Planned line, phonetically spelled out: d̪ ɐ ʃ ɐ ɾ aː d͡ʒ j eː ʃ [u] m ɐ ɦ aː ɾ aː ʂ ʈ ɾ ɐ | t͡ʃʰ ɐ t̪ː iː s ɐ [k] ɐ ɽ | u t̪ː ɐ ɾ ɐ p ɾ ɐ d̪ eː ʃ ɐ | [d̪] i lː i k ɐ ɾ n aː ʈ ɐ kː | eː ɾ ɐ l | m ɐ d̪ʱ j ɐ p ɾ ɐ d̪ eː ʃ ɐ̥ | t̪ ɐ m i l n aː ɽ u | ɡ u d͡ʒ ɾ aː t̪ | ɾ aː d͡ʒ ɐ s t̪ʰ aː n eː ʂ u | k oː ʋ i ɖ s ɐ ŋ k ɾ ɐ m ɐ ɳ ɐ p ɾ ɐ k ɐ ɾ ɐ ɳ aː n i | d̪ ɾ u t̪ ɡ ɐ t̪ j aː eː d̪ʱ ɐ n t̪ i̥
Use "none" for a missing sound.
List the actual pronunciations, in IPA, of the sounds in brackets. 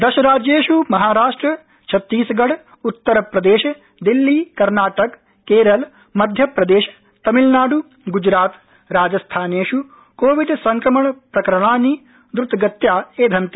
u, ɡ, d̪

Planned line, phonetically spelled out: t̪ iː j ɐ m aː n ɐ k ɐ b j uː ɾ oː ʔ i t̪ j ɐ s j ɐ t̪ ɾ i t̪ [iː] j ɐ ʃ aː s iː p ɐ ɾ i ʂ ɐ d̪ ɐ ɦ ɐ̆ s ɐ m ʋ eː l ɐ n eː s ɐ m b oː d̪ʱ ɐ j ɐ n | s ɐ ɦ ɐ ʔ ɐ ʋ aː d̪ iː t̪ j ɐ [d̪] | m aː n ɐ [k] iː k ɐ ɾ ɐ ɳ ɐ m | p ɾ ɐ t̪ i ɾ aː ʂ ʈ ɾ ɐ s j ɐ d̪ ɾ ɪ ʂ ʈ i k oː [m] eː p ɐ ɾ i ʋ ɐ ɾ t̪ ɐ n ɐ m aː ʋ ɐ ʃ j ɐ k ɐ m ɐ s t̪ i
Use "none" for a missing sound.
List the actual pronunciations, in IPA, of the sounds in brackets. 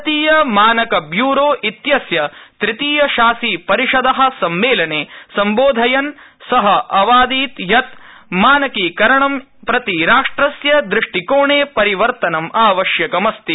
iː, t̪, k, ɳ

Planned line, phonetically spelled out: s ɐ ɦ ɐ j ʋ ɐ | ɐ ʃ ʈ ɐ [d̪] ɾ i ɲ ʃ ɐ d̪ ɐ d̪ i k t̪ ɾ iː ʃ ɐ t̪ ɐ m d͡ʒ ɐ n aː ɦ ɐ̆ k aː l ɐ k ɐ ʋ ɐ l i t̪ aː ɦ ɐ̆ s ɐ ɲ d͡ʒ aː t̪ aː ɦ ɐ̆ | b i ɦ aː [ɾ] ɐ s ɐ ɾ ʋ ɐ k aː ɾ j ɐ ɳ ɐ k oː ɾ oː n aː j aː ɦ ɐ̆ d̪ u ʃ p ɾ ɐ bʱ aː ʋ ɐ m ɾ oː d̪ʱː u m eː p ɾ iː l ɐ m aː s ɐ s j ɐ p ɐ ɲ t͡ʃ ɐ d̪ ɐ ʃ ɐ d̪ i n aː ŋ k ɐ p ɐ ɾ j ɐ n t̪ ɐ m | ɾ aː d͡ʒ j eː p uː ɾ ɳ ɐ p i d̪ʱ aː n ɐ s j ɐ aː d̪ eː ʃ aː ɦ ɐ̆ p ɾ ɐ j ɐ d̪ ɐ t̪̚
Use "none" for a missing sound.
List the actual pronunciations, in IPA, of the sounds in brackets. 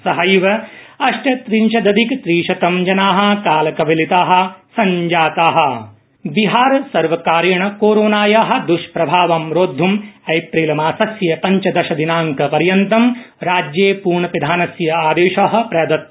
t̪, ɾ

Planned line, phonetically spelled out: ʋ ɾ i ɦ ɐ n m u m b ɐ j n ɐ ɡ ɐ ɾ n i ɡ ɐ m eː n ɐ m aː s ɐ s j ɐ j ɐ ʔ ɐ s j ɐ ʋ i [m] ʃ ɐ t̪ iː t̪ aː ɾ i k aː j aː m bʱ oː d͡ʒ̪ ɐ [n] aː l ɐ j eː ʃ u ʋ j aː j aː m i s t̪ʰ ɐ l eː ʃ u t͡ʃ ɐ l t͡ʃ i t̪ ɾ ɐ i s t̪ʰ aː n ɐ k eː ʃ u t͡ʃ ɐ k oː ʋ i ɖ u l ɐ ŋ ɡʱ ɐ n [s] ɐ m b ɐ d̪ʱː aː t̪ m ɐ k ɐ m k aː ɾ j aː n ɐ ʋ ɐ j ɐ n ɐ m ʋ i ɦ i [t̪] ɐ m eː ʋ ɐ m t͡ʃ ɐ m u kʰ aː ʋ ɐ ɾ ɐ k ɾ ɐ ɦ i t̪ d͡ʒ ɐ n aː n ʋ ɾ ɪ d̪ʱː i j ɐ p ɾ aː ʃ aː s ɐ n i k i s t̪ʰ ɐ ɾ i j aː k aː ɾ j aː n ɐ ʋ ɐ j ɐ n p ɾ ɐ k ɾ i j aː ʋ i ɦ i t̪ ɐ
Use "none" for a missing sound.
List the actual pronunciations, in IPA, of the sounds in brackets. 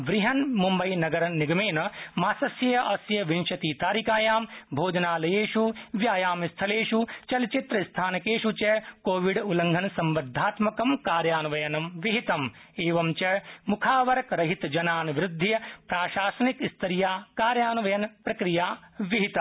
n, n, s, t̪

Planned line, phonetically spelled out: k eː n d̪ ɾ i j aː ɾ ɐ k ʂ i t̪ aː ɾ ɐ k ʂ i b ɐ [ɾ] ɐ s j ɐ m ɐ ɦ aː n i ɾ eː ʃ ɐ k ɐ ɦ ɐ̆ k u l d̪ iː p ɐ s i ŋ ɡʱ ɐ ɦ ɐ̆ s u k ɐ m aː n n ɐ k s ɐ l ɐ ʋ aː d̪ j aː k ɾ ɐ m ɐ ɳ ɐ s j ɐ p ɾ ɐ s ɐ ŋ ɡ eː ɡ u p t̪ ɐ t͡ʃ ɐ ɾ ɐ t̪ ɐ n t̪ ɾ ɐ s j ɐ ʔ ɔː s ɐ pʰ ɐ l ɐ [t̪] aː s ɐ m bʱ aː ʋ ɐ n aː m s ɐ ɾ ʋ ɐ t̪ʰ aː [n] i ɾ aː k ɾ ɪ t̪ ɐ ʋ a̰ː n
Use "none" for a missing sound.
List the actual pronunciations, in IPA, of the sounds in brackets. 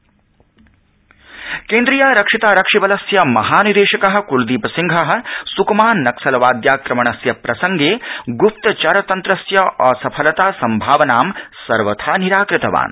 l, t̪, n

